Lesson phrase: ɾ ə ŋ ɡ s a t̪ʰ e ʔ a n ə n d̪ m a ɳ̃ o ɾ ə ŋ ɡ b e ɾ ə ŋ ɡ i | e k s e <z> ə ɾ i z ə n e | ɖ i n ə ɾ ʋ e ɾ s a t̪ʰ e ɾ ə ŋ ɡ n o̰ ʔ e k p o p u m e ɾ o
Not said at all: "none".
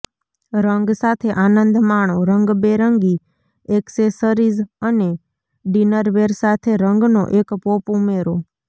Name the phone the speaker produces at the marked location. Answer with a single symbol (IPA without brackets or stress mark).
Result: s